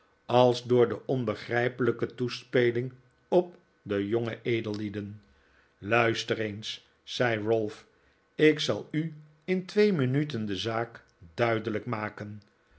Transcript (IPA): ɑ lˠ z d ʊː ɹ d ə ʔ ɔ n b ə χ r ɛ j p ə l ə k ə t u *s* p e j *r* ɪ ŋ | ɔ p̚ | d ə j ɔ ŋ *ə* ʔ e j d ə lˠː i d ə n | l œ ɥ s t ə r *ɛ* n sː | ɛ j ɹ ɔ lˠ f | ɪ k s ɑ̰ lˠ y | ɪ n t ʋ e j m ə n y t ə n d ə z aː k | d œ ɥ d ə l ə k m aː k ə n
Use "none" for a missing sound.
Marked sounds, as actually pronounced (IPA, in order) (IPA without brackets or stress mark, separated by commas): s, l, ə, e